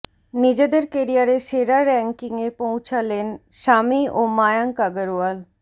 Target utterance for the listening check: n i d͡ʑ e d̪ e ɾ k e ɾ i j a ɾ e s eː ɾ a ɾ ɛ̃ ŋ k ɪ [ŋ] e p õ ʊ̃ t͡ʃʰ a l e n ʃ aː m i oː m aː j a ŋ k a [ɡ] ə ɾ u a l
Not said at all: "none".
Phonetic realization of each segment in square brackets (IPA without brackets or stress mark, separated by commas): ŋ, ɡ